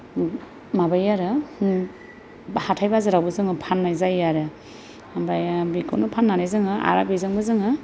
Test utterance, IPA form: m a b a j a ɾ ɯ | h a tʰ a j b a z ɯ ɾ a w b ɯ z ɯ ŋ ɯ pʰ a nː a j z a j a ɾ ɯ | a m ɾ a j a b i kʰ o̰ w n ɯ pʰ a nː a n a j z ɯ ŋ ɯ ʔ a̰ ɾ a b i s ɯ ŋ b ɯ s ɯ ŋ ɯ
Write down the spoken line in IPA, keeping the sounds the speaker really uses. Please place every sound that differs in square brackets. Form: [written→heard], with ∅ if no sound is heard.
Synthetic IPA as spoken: m a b a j a ɾ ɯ | h a tʰ a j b a z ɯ ɾ a w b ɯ z ɯ ŋ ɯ pʰ a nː a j z a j a ɾ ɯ | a m ɾ a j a b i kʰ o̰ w n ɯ pʰ a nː a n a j z ɯ ŋ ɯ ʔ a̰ ɾ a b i [s→z] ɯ ŋ b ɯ [s→z] ɯ ŋ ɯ